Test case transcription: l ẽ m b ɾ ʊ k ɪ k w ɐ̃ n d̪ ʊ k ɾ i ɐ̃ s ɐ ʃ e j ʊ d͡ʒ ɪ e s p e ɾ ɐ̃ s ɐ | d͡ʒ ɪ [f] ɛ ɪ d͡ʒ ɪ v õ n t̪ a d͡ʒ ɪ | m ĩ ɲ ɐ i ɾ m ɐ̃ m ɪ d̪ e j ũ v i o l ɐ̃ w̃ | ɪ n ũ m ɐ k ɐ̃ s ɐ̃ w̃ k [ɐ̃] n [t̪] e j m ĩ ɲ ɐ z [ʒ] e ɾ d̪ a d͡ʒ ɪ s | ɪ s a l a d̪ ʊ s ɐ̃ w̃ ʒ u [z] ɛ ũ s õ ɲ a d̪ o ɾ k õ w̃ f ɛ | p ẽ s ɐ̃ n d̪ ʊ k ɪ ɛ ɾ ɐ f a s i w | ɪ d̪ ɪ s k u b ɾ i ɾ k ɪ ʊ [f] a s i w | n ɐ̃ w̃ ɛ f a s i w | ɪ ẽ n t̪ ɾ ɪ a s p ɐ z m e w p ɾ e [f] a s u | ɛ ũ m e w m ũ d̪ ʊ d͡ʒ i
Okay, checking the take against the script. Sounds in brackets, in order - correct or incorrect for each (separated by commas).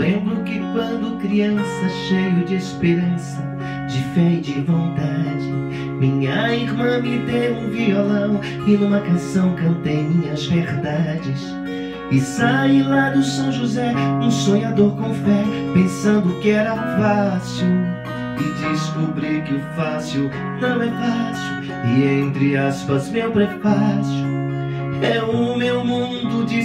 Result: correct, correct, correct, incorrect, correct, correct, correct